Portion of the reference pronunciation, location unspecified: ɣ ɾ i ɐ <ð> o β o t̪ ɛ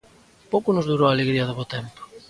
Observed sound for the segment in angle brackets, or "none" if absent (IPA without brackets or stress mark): ð